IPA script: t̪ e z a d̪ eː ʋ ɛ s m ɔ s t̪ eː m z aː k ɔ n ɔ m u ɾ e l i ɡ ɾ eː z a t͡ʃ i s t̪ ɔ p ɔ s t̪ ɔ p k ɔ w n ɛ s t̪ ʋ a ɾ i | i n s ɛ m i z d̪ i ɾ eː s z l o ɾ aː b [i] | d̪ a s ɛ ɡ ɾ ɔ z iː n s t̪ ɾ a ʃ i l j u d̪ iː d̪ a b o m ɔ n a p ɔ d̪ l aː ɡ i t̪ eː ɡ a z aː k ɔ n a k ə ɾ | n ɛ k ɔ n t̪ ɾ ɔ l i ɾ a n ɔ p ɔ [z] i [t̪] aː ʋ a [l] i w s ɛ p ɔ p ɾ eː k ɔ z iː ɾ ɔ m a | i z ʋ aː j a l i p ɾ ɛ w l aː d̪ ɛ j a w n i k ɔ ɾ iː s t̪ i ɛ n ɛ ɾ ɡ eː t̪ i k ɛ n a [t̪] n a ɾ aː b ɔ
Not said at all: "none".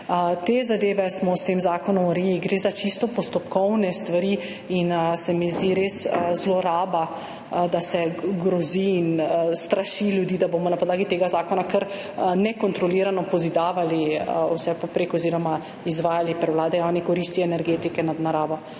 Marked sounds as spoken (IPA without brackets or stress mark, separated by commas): a, z, d̪, l, d̪